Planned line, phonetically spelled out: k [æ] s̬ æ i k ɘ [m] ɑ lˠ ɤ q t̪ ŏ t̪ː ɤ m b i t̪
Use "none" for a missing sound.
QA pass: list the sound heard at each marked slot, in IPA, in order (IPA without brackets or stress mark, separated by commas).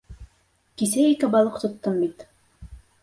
i, b